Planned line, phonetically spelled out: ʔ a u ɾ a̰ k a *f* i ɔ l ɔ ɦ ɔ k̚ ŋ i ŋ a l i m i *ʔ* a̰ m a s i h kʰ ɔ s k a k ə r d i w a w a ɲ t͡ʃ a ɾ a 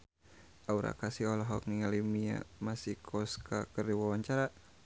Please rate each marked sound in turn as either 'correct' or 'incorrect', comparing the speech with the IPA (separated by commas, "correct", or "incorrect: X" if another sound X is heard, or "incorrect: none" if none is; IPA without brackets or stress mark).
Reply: incorrect: s, incorrect: none